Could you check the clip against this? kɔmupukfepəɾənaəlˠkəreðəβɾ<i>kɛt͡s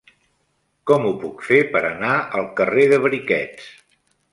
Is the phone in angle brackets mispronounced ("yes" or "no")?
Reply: no